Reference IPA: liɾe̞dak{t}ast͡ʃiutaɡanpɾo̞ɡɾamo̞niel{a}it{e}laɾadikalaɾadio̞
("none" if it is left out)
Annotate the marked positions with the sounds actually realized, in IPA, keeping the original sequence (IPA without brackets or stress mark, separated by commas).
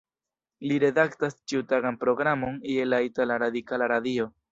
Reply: t, a, a